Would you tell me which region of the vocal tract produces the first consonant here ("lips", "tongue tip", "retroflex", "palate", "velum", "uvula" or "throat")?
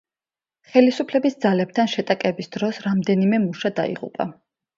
uvula